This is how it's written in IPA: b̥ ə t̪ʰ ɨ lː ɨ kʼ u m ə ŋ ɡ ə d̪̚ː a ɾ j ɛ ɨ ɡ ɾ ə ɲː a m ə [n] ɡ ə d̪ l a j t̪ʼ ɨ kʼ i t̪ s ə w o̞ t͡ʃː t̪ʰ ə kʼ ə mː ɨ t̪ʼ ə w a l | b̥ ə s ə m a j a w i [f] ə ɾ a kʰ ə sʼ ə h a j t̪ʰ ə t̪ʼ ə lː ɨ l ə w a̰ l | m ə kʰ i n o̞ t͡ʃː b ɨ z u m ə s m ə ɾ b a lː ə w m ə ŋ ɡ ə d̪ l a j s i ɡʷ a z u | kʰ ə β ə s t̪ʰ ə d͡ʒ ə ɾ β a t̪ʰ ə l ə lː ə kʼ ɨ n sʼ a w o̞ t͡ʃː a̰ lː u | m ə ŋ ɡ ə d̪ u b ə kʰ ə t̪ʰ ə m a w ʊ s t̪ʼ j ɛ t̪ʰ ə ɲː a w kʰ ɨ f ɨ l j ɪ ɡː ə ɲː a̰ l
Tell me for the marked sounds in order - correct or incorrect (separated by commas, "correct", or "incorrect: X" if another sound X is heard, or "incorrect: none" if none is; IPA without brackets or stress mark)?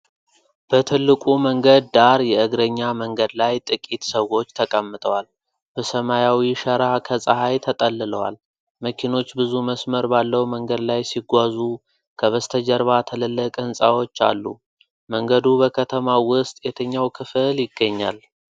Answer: incorrect: ŋ, incorrect: ʃ